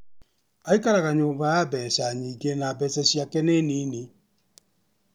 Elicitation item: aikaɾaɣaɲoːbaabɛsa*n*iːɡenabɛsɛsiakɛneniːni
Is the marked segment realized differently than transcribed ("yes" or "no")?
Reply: yes